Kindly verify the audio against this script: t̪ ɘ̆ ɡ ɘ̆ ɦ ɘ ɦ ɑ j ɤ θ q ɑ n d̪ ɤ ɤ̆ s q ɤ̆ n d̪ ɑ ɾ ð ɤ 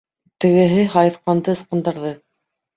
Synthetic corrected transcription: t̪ ɘ̆ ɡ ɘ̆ ɦ ɘ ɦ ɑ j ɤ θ q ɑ n d̪ ɤ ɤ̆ s q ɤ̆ n d̪ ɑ ɾ ð ɤ